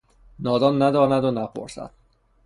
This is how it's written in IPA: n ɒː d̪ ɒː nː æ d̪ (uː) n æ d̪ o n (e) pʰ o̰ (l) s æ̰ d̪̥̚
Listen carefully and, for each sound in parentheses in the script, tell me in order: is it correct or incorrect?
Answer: incorrect, incorrect, incorrect

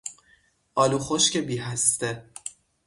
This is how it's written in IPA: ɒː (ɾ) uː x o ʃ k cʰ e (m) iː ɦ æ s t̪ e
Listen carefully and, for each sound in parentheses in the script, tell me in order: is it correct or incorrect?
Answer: incorrect, incorrect

